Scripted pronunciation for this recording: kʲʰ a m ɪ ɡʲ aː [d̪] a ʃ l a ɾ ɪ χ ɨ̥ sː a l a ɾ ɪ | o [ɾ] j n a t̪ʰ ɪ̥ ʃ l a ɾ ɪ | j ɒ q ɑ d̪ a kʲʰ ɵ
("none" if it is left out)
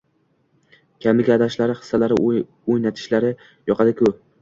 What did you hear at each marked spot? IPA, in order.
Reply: d̪, none

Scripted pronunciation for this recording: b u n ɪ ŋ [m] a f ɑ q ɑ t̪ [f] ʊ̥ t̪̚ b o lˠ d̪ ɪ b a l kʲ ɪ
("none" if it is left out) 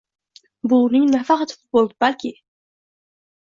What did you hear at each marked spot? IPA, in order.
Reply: n, f

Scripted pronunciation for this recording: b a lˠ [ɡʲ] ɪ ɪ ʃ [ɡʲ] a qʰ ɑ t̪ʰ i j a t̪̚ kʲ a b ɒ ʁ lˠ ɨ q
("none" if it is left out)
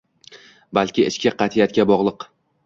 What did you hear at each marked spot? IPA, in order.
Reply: kʲ, kʲ

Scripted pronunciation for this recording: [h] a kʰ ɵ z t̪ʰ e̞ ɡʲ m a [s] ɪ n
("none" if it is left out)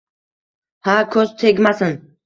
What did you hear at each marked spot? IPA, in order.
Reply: h, s

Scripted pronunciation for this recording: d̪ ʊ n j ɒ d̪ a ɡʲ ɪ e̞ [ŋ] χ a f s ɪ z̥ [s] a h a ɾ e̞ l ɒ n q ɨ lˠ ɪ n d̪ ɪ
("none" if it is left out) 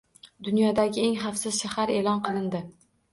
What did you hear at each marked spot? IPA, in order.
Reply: ŋ, ʃ

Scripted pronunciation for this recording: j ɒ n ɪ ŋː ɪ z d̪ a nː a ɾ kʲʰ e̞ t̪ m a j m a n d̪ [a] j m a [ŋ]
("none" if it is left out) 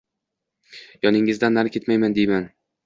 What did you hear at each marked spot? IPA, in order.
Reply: e, n

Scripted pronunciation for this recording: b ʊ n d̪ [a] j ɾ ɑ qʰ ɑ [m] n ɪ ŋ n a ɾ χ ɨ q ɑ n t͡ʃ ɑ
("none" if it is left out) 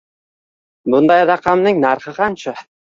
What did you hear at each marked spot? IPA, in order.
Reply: ɑ, m

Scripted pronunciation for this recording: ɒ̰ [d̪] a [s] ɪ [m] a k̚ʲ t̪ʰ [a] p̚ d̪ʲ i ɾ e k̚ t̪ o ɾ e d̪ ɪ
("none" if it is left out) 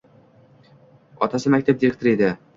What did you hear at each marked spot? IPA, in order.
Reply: t̪, s, m, a

